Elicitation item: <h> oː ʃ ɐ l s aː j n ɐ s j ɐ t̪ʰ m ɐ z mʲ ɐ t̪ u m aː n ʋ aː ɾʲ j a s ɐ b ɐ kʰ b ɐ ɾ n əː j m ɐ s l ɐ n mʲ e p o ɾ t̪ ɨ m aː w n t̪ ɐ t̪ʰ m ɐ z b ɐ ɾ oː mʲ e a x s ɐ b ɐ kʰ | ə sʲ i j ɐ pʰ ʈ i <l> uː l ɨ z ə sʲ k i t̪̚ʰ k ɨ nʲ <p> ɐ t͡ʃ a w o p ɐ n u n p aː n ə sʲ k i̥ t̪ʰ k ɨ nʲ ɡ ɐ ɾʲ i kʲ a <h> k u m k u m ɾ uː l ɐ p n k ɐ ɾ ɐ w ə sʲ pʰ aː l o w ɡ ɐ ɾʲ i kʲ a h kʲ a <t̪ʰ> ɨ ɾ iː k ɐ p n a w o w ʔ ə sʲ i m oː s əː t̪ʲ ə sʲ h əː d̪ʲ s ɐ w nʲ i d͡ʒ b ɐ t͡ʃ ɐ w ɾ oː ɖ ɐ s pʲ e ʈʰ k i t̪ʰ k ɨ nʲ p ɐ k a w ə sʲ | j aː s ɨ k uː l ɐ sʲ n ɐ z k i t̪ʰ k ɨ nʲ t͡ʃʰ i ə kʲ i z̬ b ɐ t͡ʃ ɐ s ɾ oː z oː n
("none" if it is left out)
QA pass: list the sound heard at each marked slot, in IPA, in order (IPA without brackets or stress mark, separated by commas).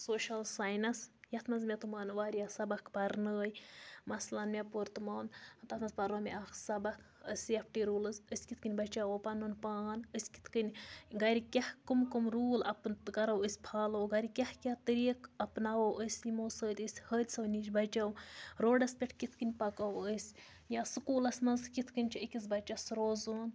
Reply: s, ɾ, b, h, t̪